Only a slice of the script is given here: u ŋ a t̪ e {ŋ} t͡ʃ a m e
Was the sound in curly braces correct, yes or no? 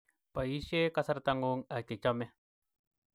no